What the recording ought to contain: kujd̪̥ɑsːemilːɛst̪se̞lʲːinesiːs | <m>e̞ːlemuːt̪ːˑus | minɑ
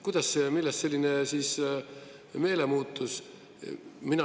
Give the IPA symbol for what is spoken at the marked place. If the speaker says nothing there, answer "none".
m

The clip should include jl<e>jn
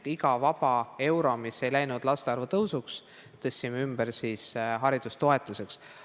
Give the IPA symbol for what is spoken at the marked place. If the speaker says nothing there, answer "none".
æ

